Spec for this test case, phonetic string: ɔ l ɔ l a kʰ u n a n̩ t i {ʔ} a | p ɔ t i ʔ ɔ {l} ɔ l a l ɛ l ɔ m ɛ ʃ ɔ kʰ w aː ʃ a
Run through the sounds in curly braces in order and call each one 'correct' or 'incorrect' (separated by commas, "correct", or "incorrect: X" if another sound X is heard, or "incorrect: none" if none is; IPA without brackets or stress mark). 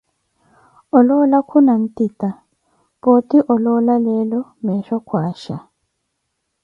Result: incorrect: t, correct